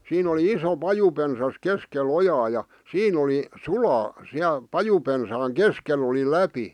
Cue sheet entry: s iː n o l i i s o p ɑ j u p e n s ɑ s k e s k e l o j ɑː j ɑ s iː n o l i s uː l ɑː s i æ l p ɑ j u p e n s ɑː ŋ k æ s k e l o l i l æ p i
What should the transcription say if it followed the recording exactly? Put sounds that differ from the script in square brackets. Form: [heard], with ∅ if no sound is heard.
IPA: s iː n o l i i s o p ɑ j u p e n s ɑ s k e s k e l o j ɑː j ɑ s iː n o l i s [u] l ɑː s i æ l p ɑ j u p e n s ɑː ŋ k [e] s k e l o l i l æ p i